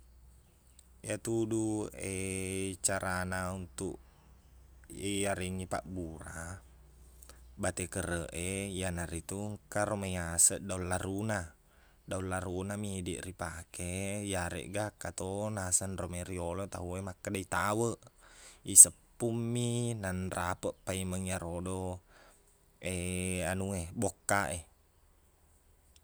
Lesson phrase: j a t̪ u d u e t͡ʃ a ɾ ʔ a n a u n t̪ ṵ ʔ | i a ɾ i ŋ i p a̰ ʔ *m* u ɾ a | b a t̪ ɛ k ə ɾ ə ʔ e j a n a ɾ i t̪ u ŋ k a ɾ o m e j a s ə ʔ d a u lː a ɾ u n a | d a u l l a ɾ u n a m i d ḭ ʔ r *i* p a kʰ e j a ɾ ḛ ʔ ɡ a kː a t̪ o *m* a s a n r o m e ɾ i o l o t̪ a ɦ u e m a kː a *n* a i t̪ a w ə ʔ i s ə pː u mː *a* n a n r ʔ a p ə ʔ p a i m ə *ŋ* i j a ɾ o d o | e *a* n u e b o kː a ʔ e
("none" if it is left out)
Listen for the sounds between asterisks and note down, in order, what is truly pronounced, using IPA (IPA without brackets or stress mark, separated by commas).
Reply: b, i, n, d, i, ŋ, a